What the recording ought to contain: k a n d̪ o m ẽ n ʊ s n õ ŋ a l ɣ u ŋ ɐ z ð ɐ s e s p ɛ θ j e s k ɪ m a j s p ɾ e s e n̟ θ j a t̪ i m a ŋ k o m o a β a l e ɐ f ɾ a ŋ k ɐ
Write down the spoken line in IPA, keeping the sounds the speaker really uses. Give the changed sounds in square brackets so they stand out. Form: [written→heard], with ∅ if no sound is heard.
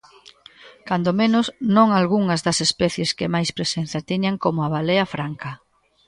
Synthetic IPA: k a n d̪ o m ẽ n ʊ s n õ ŋ a l ɣ u ŋ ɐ z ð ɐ s e s p ɛ θ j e s k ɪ m a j s p ɾ e s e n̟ θ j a t̪ i [m→ɲ] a ŋ k o m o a β a l e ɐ f ɾ a ŋ k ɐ